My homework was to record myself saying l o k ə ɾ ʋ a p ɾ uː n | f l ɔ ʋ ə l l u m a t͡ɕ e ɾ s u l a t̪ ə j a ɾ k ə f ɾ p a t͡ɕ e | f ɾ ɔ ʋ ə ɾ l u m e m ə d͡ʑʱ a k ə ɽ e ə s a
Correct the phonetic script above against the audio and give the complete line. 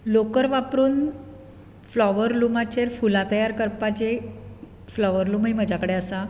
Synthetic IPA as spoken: l o k ə ɾ ʋ a p ɾ uː n | f l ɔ ʋ ə ɾ l u m a t͡ɕ e ɾ f u l a t̪ ə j a ɾ k ə ɾ p a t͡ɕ e | f l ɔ ʋ ə ɾ l u m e m ə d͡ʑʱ a k ə ɽ e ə s a